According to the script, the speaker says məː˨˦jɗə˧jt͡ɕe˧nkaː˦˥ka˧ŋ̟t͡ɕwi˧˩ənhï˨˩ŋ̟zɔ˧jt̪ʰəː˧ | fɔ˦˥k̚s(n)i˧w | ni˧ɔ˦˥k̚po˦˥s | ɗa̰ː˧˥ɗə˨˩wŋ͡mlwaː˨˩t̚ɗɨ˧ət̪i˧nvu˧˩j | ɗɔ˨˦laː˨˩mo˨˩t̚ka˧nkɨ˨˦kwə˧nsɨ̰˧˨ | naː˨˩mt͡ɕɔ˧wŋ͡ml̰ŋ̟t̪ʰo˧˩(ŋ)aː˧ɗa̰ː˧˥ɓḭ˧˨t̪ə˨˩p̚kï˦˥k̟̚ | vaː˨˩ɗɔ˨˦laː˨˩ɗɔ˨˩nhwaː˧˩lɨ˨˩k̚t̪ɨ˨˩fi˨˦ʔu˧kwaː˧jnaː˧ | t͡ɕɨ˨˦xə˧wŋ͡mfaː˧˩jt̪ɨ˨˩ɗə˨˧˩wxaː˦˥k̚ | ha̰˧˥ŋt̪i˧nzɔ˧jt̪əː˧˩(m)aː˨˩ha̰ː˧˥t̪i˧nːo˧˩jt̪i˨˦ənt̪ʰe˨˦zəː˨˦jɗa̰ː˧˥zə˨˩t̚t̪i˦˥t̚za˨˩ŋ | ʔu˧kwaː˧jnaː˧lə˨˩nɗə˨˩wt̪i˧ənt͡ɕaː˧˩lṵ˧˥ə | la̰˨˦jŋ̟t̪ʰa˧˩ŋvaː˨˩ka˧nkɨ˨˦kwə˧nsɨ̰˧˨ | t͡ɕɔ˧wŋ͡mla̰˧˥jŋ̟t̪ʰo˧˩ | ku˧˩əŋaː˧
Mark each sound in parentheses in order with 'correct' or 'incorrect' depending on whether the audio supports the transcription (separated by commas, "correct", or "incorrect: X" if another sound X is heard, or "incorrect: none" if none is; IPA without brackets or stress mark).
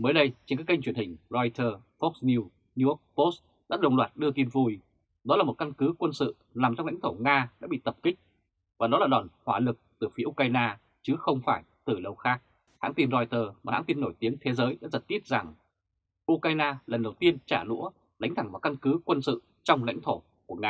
correct, correct, correct